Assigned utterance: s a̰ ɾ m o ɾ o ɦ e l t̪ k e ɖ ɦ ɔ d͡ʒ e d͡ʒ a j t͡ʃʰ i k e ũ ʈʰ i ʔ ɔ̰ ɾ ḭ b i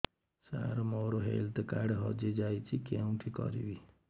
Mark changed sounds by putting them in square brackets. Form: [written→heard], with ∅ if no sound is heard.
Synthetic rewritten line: s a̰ ɾ m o ɾ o ɦ e l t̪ k [e→a] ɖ ɦ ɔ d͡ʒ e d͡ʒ a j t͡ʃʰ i k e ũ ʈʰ i [ʔ→k] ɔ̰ ɾ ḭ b i